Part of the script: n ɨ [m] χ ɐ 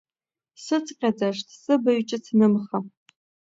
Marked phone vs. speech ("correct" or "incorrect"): correct